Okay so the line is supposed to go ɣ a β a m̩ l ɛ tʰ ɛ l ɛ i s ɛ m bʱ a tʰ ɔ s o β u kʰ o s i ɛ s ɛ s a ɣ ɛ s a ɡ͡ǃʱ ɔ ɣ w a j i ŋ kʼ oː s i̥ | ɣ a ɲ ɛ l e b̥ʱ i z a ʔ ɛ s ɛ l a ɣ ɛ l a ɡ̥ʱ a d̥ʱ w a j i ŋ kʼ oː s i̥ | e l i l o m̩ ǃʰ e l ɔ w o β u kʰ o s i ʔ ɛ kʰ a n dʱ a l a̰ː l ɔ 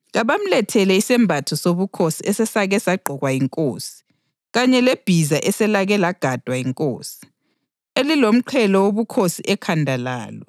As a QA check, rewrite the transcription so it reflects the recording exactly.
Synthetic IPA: ɣ a β a m̩ l ɛ tʰ ɛ l ɛ i s ɛ m bʱ a tʰ ɔ s o β u kʰ o s i ɛ s ɛ s a ɣ ɛ s a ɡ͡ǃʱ ɔ ɣ w a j i ŋ kʼ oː s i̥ | ɣ a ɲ ɛ l e b̥ʱ i z a ʔ ɛ s ɛ l a ɣ ɛ l a ɡ̥ʱ a d̥ʱ w a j i ŋ kʼ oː s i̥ | e l i l o m̩ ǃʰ ɛ l ɔ w o β u kʰ o s i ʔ ɛ kʰ a n dʱ a l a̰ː l ɔ